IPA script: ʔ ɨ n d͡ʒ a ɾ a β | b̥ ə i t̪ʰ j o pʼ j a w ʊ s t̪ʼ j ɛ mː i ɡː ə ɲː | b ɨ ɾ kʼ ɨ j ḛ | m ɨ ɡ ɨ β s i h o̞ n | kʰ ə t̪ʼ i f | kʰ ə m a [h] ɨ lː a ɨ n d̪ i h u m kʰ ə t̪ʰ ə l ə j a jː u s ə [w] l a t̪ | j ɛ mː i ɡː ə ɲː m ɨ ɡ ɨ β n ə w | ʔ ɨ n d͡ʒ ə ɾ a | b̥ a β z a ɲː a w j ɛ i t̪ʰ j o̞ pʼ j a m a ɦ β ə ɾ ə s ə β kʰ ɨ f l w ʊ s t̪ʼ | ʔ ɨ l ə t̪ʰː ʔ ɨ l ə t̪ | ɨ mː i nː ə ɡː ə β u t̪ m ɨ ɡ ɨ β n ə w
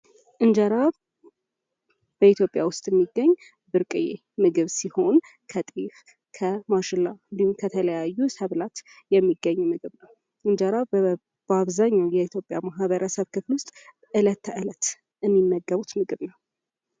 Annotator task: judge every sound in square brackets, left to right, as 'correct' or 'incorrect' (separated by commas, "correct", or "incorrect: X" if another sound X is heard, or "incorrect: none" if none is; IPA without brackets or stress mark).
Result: incorrect: ʃ, incorrect: β